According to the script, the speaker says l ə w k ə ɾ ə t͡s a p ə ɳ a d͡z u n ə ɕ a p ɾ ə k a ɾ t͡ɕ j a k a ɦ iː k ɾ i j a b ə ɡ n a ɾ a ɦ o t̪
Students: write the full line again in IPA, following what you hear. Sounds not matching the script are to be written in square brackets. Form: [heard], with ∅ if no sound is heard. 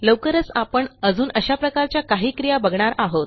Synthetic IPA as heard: l ə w k ə ɾ ə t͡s a p ə ɳ [ə] d͡z [uː] n ə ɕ a p ɾ ə k a ɾ t͡ɕ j a k a ɦ iː k ɾ i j a b ə ɡ [ɳ] a ɾ a ɦ o t̪

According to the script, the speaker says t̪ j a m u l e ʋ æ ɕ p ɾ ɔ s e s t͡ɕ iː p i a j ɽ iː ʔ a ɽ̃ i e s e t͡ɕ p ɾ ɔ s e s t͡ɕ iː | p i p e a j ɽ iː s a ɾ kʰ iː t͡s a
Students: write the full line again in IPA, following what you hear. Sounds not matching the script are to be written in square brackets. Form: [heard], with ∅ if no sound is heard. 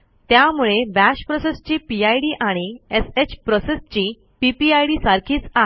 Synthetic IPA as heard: t̪ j a m u [ɭ] e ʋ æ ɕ p ɾ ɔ s e s t͡ɕ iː p i a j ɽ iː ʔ a ɽ̃ i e s e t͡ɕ p ɾ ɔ s e s t͡ɕ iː | p i p [i] a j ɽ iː s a ɾ kʰ iː t͡s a

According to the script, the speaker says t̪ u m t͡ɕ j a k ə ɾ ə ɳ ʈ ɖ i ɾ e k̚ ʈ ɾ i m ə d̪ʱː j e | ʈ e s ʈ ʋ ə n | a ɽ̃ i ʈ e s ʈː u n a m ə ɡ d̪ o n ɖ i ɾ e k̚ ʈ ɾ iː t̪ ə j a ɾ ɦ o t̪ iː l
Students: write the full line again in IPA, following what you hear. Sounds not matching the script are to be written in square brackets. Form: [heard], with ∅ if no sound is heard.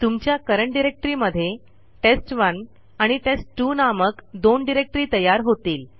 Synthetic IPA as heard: t̪ u m t͡ɕ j a k ə ɾ ə ɳ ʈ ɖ i ɾ e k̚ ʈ ɾ i m ə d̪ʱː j e | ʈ e s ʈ ʋ ə n | a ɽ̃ i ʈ e s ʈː u n a m ə [k] d̪ o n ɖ i ɾ e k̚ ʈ ɾ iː t̪ ə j a ɾ ɦ o t̪ iː l

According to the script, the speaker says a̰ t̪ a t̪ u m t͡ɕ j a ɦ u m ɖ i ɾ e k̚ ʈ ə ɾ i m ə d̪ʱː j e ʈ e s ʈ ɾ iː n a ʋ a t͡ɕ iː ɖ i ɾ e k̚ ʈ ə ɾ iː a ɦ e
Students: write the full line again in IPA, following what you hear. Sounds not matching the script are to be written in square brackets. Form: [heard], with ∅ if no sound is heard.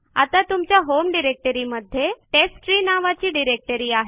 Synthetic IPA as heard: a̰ t̪ a t̪ u m t͡ɕ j a ɦ [o] m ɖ i ɾ e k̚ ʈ ə ɾ i m ə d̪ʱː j e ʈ e s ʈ ɾ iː n a ʋ a t͡ɕ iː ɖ i ɾ e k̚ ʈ ə ɾ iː a ɦ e

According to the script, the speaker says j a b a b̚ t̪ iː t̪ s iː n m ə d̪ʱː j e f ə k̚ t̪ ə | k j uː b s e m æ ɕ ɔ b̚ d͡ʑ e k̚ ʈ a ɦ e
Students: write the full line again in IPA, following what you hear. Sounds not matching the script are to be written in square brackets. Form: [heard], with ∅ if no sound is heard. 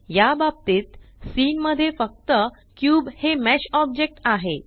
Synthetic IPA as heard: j a b a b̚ t̪ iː t̪ s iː n m ə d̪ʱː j e f ə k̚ t̪ ə | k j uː b [h] e m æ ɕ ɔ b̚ d͡ʑ e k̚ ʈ a ɦ e

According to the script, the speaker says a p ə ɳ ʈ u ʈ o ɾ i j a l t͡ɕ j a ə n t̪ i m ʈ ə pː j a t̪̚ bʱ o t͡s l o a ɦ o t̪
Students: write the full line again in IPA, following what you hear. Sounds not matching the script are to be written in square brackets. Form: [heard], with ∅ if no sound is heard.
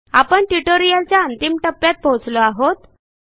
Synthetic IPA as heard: a p ə ɳ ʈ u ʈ o ɾ i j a l t͡ɕ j a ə n t̪ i m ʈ ə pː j a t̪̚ bʱ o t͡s l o a ɦ o t̪

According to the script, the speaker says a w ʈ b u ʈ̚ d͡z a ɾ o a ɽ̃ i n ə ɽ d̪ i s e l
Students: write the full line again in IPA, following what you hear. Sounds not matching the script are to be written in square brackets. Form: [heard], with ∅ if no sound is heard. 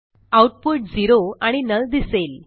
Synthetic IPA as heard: a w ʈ [p] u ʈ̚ d͡z [i] ɾ o a ɽ̃ i n ə [l] d̪ i s e l

